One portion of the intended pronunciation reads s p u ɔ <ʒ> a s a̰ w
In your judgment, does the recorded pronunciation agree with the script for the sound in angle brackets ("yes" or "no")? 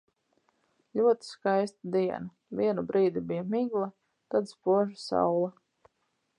yes